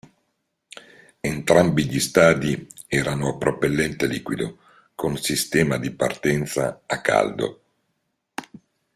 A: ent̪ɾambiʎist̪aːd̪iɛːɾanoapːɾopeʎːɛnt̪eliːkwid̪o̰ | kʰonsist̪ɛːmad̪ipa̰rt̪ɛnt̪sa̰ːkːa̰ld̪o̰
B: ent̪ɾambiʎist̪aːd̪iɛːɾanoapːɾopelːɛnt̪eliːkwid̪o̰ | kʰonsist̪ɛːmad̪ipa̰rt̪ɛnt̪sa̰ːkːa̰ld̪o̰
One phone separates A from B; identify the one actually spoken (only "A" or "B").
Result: B